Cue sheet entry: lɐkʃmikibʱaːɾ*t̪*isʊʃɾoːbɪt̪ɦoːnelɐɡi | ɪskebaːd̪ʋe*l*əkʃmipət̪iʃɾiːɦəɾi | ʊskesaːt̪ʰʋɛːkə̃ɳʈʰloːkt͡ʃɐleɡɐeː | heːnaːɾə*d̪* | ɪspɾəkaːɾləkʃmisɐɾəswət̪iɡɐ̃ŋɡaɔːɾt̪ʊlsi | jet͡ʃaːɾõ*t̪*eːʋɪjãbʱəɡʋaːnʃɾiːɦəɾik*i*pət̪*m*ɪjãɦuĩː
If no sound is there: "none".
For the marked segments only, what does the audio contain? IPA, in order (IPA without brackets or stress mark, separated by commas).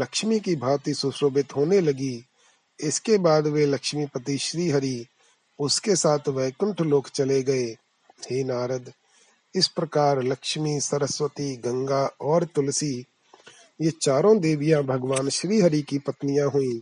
t̪, l, d̪, d̪, i, n